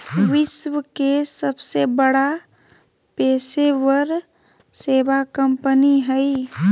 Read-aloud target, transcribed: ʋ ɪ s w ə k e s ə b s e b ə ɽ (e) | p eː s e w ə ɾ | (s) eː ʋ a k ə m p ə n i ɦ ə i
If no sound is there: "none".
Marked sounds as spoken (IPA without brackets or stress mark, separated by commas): a, s